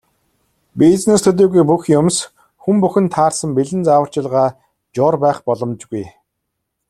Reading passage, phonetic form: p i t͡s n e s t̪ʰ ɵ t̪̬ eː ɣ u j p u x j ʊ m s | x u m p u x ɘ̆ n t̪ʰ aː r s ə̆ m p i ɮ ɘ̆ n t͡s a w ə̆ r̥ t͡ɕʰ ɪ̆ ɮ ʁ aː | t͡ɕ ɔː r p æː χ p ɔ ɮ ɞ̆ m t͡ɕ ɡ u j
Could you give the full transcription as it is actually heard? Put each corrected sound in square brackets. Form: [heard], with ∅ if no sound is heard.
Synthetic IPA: p i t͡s n e s t̪ʰ ɵ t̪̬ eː ɣ u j p u x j ʊ m s | x u m p u x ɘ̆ n t̪ʰ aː r s ə̆ m p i ɮ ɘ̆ n t͡s a w ə̆ r̥ [t͡ɕ] ɪ̆ ɮ ʁ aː | t͡ɕ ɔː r p æː χ p ɔ ɮ ɞ̆ m t͡ɕ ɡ u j